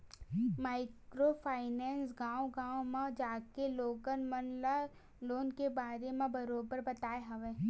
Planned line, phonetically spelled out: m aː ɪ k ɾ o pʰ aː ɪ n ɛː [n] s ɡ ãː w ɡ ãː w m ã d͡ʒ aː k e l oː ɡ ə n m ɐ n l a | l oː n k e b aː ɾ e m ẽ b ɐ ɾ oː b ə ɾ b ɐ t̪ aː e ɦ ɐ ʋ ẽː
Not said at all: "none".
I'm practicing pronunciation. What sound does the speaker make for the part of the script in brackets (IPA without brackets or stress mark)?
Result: n